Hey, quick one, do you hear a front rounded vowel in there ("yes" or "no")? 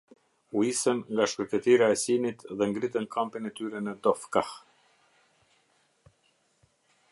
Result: yes